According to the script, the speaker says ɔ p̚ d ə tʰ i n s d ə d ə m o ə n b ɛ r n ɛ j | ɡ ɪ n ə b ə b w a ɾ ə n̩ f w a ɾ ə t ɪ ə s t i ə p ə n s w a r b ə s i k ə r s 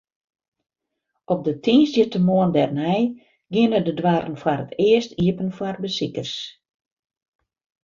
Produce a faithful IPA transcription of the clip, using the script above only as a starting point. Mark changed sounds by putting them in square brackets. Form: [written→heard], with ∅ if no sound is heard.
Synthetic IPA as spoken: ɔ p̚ d ə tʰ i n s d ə [d→t] ə m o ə n [b→d] ɛ r n ɛ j | ɡ ɪ n ə [b→d] ə [b→d] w a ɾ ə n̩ f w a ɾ ə t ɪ ə s t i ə p ə n [s→f] w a r b ə s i k ə r s